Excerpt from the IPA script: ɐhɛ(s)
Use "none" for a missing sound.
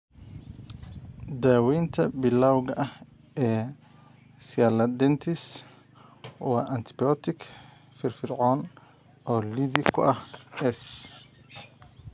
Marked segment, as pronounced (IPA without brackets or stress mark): s